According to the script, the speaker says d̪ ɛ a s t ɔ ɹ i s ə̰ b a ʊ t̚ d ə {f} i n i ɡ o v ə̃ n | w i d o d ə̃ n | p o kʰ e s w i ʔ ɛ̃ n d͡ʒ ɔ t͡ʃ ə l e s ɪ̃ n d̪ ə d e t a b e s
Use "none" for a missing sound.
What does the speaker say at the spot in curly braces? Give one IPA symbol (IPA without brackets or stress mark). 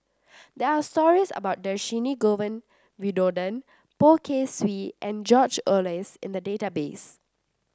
ʃ